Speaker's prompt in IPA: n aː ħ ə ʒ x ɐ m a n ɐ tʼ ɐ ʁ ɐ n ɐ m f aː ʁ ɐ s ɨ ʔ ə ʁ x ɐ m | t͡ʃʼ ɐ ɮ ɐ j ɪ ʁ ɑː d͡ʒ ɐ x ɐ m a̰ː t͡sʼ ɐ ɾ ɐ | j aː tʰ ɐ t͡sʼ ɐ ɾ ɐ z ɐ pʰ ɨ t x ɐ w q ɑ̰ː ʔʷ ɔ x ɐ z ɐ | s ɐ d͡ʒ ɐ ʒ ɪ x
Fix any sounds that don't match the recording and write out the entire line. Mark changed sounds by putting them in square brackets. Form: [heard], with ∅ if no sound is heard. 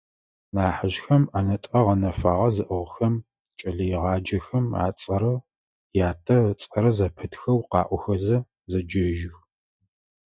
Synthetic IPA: n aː ħ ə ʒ x ɐ m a n ɐ tʼ ɐ ʁ ɐ n ɐ [∅] f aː ʁ ɐ [z] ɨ ʔ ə ʁ x ɐ m | t͡ʃʼ ɐ ɮ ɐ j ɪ ʁ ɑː d͡ʒ ɐ x ɐ m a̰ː t͡sʼ ɐ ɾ ɐ | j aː tʰ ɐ t͡sʼ ɐ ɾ ɐ z ɐ pʰ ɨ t x ɐ w q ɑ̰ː ʔʷ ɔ x ɐ z ɐ | [z] ɐ d͡ʒ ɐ ʒ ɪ x

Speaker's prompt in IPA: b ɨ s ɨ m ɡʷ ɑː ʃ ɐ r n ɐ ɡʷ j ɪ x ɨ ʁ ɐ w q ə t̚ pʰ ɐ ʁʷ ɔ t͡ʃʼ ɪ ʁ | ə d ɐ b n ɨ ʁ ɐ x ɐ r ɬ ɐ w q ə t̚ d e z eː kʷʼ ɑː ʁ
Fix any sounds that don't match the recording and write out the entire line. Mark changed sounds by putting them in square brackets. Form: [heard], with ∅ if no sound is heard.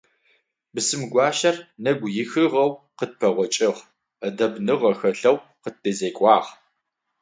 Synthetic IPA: b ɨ s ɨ m ɡʷ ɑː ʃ ɐ r n ɐ ɡʷ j ɪ x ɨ ʁ ɐ w q ə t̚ pʰ ɐ ʁʷ ɔ t͡ʃʼ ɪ ʁ | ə d ɐ b n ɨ ʁ ɐ x ɐ [∅] ɬ ɐ w q ə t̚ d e z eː kʷʼ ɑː ʁ

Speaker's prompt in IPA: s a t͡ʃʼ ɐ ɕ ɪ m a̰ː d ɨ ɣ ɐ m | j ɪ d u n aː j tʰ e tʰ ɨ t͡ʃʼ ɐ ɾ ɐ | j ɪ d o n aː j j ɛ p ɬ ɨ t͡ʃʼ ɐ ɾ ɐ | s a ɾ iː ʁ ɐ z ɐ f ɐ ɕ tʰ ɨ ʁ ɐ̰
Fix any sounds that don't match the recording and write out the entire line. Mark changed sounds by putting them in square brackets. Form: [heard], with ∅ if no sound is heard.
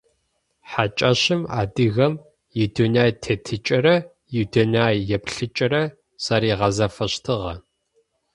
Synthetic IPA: [ħ] a t͡ʃʼ ɐ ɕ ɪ m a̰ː d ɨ ɣ ɐ m | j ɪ d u n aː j tʰ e tʰ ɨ t͡ʃʼ ɐ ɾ ɐ | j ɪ d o n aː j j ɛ p ɬ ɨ t͡ʃʼ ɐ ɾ ɐ | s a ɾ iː ʁ ɐ z ɐ f ɐ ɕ tʰ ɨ ʁ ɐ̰

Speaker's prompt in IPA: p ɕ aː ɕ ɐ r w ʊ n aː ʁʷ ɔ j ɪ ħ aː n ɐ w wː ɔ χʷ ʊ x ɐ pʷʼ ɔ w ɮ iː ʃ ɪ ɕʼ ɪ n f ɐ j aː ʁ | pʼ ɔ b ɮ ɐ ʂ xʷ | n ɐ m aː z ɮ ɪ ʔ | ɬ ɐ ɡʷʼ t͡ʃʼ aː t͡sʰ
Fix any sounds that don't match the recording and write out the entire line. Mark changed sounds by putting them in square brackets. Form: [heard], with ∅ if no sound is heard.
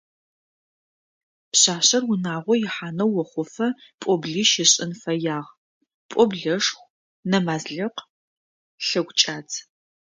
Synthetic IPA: p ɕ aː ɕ ɐ r w ʊ n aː ʁʷ ɔ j ɪ ħ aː n ɐ w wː ɔ χʷ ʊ [f] ɐ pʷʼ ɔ [b] ɮ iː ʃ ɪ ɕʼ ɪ n f ɐ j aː ʁ | pʼ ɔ b ɮ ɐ ʂ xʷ | n ɐ m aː z ɮ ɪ [q] | ɬ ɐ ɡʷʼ t͡ʃʼ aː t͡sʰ

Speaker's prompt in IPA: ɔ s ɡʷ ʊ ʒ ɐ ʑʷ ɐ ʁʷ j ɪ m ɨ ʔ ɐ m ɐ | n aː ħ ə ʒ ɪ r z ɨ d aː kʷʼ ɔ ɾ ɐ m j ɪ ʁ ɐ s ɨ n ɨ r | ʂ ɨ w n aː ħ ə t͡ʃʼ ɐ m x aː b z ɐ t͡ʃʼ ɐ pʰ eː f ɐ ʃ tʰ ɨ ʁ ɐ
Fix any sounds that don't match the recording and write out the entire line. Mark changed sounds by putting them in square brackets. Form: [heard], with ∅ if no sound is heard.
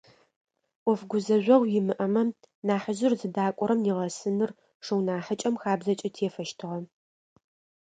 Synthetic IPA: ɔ [f] ɡʷ ʊ [z] ɐ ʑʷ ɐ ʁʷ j ɪ m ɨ ʔ ɐ m ɐ | n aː ħ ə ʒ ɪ r z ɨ d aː kʷʼ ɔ ɾ ɐ m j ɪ ʁ ɐ s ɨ n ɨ r | ʂ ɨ w n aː ħ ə t͡ʃʼ ɐ m x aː b z ɐ t͡ʃʼ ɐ [tʰ] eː f ɐ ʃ tʰ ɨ ʁ ɐ

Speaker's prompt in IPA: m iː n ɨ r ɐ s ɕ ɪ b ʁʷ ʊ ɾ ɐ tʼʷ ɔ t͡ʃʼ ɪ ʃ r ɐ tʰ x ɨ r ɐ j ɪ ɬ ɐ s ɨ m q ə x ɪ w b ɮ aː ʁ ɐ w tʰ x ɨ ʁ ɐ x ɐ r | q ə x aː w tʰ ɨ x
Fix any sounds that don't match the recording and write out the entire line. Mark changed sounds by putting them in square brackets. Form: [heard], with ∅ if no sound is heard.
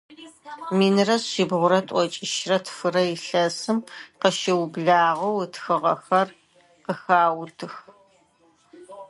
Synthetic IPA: m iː n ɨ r ɐ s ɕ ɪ b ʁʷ ʊ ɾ ɐ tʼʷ ɔ t͡ʃʼ ɪ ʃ r ɐ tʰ [f] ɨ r ɐ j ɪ ɬ ɐ s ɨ m q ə [ʃ] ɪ w b ɮ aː ʁ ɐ w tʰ x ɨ ʁ ɐ x ɐ r | q ə x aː w tʰ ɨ x

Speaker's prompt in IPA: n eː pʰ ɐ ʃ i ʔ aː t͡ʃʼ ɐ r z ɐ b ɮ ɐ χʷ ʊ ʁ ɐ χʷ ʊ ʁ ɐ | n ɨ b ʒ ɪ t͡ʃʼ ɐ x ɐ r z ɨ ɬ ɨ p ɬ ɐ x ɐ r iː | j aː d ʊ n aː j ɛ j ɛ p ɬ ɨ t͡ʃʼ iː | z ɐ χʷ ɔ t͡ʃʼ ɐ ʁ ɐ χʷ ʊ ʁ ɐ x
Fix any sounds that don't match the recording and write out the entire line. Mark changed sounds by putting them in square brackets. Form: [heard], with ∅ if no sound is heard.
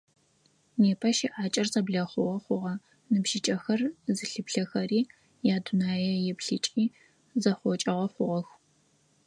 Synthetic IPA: n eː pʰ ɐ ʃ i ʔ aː t͡ʃʼ ɐ r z ɐ b ɮ ɐ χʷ ʊ ʁ ɐ χʷ ʊ ʁ ɐ | n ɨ b ʒ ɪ t͡ʃʼ ɐ x ɐ r z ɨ ɬ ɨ p ɬ ɐ x ɐ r iː | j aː d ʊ n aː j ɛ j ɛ p ɬ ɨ t͡ʃʼ iː | z ɐ χʷ ɔ t͡ʃʼ ɐ ʁ ɐ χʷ ʊ ʁ ɐ x

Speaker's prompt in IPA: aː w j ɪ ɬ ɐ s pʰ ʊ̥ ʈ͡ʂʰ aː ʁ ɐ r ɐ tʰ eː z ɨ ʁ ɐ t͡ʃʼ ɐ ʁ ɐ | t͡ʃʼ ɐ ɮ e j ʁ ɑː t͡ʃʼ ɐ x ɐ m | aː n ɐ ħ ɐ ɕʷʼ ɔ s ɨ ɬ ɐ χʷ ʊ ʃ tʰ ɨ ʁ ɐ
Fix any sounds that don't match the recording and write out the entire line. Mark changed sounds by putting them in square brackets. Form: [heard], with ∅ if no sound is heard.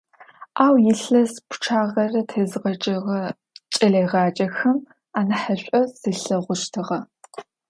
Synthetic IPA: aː w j ɪ ɬ ɐ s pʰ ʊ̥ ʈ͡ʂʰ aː ʁ ɐ r ɐ tʰ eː z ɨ ʁ ɐ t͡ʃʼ ɐ ʁ ɐ | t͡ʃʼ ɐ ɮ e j ʁ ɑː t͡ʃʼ ɐ x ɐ m | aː n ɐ ħ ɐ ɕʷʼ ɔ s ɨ ɬ ɐ [ʁʷ] ʊ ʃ tʰ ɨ ʁ ɐ

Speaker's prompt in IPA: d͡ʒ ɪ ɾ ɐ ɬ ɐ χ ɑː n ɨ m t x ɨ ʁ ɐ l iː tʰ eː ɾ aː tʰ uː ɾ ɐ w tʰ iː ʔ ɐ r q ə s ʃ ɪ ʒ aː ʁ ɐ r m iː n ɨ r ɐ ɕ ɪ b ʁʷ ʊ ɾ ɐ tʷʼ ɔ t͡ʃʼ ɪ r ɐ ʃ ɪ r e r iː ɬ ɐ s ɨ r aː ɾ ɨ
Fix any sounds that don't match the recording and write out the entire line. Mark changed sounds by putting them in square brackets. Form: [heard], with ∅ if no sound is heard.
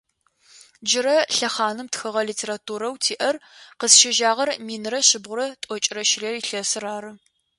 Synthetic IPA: d͡ʒ ɪ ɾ ɐ ɬ ɐ χ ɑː n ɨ m t x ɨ ʁ ɐ l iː tʰ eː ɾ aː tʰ uː ɾ ɐ w tʰ iː ʔ ɐ r q ə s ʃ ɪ ʒ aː ʁ ɐ r m iː n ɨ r ɐ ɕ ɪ b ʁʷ ʊ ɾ ɐ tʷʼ ɔ t͡ʃʼ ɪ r ɐ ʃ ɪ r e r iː ɬ ɐ s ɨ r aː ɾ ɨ

